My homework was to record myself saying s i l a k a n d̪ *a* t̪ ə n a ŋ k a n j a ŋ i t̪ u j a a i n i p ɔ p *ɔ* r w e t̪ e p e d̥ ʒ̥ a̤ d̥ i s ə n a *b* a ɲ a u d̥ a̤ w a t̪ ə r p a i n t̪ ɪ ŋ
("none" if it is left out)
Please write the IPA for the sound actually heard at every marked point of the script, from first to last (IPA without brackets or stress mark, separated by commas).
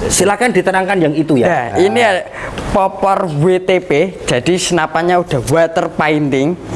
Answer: i, ɔ, p